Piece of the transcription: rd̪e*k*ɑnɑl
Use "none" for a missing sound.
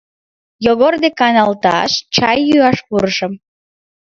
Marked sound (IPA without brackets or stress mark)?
k